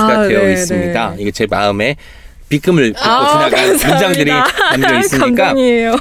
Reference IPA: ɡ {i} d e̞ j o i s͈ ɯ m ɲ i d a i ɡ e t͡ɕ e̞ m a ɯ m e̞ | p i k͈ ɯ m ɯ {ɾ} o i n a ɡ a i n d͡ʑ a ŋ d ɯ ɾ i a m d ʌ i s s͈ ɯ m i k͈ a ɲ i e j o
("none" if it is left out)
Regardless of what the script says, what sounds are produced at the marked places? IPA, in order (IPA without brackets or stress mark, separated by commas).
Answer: a, ɭ